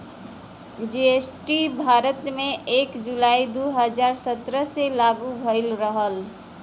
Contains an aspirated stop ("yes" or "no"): no